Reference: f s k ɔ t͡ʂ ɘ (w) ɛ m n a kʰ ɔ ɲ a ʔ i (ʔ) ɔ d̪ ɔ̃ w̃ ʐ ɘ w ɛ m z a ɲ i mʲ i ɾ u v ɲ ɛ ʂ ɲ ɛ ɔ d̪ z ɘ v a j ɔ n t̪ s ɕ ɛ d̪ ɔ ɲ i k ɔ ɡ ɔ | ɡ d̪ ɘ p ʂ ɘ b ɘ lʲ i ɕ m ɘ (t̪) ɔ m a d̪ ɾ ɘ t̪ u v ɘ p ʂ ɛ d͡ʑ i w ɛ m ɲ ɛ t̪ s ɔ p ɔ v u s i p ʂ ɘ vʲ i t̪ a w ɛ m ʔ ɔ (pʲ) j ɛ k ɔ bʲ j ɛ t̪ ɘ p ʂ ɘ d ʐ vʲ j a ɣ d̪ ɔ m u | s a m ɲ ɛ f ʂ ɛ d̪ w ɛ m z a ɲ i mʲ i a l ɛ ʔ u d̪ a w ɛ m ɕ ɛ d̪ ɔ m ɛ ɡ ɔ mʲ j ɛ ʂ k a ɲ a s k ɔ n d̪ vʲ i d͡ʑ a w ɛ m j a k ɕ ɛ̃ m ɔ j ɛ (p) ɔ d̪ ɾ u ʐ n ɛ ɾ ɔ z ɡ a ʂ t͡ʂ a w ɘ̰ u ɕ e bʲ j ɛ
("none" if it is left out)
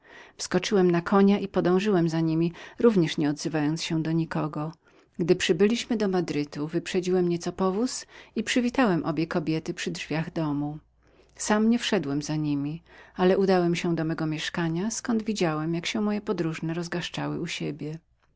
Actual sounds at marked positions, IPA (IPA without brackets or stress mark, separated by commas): w, p, d̪, bʲ, p